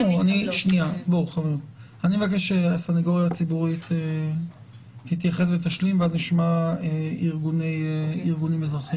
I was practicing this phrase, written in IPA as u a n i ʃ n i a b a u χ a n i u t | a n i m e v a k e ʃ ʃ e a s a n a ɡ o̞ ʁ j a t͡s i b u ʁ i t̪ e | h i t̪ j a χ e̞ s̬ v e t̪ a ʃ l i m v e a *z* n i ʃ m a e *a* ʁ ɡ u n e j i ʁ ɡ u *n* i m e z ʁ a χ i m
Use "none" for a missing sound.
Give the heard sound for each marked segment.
z, i, n

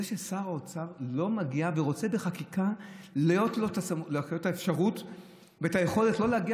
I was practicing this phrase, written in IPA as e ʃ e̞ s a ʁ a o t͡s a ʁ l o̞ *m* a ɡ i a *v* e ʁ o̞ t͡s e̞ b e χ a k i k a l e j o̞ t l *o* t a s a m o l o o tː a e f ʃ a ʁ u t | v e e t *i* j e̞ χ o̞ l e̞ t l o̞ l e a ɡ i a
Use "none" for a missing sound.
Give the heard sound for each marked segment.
m, v, o, a

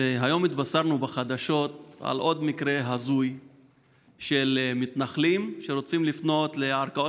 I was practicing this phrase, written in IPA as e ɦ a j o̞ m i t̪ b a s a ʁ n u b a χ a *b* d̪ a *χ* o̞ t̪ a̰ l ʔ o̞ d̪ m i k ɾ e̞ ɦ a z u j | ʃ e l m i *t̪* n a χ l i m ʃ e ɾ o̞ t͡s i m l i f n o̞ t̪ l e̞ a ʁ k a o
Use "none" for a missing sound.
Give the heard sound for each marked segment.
none, ʃ, t̪

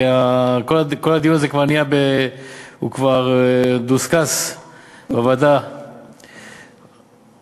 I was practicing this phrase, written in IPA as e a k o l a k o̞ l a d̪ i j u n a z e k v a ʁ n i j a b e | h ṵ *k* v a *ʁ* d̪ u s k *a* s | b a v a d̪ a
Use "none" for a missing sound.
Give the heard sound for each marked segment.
k, ʁ, a

